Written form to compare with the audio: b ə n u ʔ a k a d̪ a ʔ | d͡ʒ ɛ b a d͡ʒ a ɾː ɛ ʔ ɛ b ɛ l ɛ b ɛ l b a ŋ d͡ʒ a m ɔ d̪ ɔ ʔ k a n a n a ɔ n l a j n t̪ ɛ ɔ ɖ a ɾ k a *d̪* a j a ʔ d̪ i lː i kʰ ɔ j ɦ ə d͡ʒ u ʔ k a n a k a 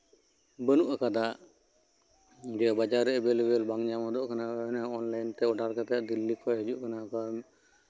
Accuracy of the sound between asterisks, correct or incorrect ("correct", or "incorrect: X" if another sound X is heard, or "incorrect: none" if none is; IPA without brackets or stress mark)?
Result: incorrect: t̪